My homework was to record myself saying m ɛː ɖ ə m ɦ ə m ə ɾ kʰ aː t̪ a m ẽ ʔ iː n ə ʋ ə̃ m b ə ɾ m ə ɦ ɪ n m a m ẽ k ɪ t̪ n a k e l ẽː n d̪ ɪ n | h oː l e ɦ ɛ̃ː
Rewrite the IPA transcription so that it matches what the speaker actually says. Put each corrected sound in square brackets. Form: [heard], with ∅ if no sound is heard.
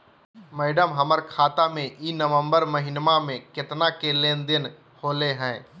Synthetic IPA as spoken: m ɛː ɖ ə m ɦ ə m ə ɾ kʰ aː t̪ a m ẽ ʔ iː n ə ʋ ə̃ m b ə ɾ m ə ɦ ɪ n m a m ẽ k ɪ t̪ n a k e l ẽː n d̪ ɪ n | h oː l e ɦ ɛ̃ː